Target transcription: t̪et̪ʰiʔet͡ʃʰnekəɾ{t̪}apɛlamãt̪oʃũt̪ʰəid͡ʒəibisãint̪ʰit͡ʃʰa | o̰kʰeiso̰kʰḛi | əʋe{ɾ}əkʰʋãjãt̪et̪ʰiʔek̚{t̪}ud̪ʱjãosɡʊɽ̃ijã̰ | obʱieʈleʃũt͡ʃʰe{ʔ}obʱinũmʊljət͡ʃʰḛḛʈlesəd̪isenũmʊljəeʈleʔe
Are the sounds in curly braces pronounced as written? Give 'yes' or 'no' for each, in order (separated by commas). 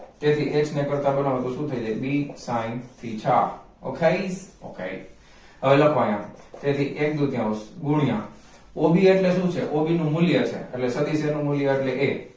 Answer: yes, no, no, yes